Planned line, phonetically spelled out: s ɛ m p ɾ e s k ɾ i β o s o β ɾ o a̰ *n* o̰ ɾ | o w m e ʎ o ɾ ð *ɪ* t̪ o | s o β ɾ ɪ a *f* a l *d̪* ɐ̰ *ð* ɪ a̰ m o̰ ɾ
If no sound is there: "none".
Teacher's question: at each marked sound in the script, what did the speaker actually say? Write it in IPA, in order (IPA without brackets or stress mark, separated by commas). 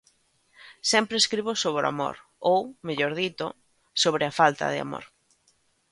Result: m, i, f, t̪, ð